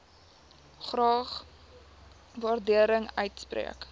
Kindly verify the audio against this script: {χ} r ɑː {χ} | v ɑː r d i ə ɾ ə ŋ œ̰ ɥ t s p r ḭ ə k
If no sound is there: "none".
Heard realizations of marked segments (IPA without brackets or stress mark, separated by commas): χ, χ